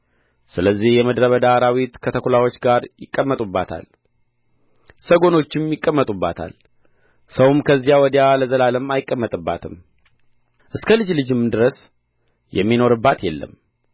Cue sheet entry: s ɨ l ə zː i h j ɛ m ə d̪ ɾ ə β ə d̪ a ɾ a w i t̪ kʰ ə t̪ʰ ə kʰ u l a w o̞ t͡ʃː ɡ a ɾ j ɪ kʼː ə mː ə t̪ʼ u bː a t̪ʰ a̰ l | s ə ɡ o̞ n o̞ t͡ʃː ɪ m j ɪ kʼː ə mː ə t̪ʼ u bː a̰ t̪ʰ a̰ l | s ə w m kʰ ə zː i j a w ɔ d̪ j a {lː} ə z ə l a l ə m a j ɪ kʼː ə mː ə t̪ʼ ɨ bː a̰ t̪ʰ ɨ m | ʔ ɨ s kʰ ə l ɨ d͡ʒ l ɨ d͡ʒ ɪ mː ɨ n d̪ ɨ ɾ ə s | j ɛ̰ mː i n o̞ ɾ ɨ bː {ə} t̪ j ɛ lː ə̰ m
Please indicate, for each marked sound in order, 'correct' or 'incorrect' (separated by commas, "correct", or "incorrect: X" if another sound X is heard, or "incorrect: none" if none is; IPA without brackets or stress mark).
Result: incorrect: l, incorrect: a